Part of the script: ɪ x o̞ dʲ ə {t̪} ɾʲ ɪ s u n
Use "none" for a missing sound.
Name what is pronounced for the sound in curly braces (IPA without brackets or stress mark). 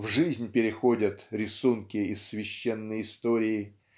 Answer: t̪